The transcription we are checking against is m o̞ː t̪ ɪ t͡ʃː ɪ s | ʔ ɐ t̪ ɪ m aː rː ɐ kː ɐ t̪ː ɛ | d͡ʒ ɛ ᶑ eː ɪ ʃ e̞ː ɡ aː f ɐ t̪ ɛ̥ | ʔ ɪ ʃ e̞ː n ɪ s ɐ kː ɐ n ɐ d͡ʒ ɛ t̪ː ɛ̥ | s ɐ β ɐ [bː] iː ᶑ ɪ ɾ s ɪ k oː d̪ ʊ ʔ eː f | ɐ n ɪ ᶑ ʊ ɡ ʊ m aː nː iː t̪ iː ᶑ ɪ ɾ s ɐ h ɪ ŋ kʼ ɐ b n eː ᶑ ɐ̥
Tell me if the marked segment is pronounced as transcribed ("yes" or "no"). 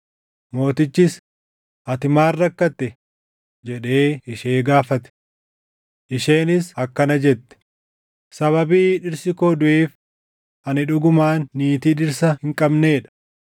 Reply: no